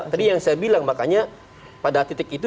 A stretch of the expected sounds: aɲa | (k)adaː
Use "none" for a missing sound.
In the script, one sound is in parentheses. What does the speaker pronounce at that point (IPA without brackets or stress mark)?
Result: p